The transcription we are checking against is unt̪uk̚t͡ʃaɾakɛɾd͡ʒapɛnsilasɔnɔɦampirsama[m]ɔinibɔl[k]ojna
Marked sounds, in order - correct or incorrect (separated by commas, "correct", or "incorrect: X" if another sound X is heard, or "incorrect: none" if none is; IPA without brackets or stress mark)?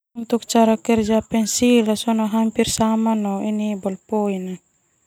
incorrect: n, incorrect: p